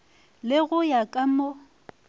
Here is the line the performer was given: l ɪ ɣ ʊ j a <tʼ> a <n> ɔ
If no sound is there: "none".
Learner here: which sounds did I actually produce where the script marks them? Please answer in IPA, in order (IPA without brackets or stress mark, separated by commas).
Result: kʼ, m